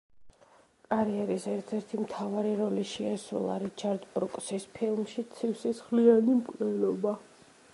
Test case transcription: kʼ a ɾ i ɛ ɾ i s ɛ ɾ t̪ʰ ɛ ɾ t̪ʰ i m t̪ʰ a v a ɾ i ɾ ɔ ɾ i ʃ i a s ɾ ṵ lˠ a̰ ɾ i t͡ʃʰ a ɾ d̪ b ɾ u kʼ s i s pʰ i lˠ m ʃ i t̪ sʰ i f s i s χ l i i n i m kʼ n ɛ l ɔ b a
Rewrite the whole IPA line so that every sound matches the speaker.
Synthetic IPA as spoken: kʼ a ɾ i ɛ ɾ i s ɛ ɾ t̪ʰ ɛ ɾ t̪ʰ i m t̪ʰ a v a ɾ i ɾ ɔ l i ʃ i a s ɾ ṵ lˠ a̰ ɾ i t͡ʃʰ a ɾ d̪ b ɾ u kʼ s i s pʰ i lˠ m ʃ i t̪ sʰ i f s i s χ l i a n i m kʼ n ɛ l ɔ b a